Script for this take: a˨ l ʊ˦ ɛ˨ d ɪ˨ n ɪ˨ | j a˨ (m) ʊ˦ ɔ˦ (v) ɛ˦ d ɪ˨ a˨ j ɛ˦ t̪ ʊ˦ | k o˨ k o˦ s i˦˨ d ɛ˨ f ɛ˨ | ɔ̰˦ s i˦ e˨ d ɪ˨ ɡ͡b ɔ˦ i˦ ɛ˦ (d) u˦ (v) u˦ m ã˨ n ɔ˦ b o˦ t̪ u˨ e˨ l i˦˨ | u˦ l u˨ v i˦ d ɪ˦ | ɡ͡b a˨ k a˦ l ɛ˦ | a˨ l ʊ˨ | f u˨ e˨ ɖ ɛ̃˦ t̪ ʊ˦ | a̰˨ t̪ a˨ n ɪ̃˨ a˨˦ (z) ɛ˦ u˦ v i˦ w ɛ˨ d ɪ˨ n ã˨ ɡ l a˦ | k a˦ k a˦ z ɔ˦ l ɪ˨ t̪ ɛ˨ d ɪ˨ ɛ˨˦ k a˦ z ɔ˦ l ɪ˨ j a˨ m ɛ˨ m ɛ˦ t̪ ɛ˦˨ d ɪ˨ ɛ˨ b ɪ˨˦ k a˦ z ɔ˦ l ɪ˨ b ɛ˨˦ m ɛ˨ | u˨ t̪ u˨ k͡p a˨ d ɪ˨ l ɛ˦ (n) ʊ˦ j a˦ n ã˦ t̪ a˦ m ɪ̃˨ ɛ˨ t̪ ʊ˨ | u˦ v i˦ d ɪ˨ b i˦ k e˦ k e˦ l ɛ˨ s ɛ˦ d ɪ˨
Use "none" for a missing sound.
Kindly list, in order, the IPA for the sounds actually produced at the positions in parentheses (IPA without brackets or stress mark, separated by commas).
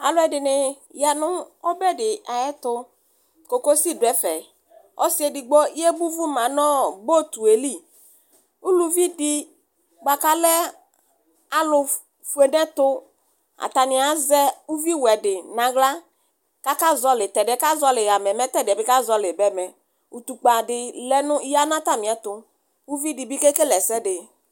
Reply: n, b, b, v, z, n